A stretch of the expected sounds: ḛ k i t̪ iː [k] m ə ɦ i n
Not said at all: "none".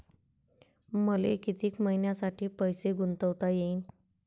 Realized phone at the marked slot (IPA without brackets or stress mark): k